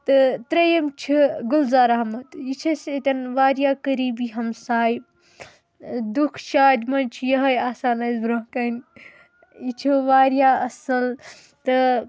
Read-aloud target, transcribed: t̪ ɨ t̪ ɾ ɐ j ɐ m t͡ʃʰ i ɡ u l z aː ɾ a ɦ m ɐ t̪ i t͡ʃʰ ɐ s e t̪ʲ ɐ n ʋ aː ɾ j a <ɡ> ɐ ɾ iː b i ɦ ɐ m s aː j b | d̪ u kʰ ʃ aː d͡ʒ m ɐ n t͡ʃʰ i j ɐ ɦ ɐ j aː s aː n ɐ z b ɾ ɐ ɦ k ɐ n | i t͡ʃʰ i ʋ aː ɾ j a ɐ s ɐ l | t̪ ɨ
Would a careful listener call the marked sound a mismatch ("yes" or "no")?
yes